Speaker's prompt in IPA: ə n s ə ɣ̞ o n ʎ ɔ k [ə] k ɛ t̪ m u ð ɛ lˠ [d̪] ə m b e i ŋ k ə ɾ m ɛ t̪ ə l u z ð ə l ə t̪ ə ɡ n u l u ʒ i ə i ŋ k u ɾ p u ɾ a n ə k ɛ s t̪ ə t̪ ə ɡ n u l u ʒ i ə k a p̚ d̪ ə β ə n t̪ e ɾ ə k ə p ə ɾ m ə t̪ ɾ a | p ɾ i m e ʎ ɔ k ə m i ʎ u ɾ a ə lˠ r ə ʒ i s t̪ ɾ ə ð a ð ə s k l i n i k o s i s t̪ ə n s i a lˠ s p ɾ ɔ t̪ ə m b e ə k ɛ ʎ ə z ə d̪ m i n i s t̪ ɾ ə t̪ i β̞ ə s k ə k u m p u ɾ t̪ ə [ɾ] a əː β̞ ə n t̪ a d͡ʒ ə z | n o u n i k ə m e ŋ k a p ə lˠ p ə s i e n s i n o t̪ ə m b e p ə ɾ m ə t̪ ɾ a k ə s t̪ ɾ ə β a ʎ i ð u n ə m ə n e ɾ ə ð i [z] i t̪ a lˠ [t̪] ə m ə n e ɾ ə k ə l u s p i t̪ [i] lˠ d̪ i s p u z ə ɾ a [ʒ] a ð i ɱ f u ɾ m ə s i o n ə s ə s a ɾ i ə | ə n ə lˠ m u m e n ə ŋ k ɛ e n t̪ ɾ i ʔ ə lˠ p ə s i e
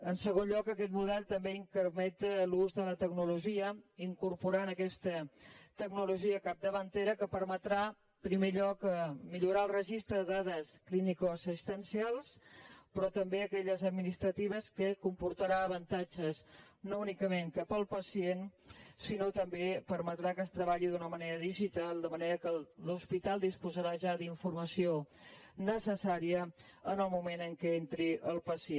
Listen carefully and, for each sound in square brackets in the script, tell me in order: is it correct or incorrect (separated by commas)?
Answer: correct, incorrect, correct, incorrect, incorrect, incorrect, correct